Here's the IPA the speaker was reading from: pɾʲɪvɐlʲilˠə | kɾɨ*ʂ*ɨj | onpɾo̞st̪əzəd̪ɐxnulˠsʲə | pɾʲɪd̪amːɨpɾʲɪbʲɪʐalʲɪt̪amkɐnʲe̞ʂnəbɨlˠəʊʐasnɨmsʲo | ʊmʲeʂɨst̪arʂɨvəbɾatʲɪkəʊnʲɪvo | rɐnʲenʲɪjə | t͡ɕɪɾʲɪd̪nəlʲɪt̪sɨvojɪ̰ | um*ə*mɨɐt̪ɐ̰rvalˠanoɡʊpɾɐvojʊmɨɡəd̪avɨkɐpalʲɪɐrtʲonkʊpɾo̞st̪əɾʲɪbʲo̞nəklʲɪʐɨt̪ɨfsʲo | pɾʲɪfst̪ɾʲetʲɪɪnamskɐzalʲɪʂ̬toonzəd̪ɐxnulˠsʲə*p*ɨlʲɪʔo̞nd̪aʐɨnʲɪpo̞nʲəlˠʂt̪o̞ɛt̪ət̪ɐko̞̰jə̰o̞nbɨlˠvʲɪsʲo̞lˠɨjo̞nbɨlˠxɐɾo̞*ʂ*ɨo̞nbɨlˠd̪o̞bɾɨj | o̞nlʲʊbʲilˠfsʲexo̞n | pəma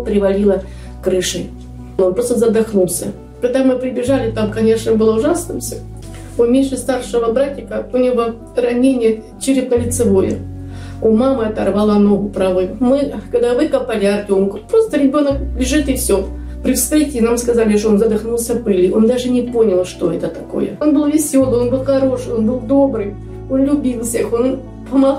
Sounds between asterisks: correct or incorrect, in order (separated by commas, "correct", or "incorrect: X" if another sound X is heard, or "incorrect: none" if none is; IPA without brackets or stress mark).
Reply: correct, incorrect: a, correct, correct